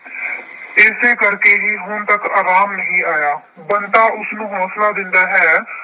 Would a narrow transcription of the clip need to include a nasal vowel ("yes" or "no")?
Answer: yes